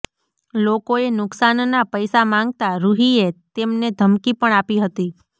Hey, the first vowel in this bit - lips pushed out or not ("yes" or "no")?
yes